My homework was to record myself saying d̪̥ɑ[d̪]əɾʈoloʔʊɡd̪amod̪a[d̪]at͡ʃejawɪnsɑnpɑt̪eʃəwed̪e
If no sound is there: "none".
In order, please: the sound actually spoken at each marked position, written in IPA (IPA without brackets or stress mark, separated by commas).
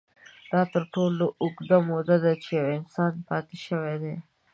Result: t̪, d̪